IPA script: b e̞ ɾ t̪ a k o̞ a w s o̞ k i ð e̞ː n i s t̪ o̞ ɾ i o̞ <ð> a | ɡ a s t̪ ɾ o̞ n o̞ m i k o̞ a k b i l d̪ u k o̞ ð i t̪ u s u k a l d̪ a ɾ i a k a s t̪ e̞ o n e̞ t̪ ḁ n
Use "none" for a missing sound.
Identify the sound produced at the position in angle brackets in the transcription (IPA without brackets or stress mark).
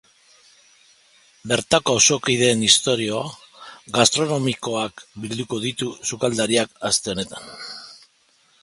none